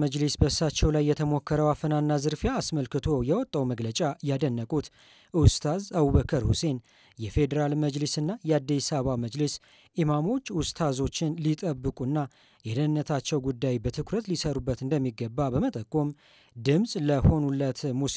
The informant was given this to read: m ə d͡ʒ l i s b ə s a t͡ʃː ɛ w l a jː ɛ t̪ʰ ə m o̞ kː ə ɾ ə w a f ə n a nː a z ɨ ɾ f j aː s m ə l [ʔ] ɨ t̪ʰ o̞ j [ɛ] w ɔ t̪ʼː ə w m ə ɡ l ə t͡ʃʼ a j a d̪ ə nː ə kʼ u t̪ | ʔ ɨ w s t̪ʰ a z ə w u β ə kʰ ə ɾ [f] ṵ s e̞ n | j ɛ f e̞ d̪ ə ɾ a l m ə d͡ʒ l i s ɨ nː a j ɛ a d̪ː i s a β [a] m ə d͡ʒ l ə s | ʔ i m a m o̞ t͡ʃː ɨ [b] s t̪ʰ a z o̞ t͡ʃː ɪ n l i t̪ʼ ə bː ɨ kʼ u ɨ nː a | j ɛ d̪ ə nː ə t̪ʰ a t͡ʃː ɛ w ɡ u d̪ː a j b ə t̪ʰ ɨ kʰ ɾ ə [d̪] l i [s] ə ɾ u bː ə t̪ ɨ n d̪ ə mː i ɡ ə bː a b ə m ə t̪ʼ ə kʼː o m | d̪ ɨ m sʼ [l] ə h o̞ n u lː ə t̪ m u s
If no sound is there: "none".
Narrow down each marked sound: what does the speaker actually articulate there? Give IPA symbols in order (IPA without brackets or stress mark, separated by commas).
k, ɛ, h, a, w, t̪, s, l